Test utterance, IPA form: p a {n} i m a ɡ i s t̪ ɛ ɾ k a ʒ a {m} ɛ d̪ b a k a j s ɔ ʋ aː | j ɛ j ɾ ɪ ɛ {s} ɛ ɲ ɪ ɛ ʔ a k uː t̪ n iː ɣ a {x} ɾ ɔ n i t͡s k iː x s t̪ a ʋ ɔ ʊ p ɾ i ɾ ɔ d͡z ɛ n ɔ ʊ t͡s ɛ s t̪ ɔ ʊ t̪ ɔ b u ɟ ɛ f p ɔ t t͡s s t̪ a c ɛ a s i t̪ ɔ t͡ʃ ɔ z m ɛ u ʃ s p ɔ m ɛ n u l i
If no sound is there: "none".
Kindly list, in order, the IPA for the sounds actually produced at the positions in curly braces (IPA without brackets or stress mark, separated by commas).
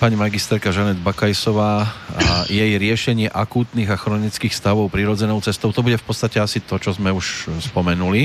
ɲ, n, ʃ, x